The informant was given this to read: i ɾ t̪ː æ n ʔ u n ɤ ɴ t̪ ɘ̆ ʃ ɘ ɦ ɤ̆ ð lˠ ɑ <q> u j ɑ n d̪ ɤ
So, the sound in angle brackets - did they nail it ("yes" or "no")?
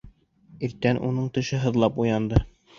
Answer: no